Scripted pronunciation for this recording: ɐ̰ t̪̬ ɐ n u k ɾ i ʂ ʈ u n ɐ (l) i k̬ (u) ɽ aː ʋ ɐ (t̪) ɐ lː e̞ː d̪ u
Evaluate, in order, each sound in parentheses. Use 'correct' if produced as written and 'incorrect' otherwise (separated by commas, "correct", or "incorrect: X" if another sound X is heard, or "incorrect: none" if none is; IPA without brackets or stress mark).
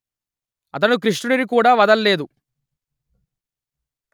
incorrect: ɾ, incorrect: uː, incorrect: d̪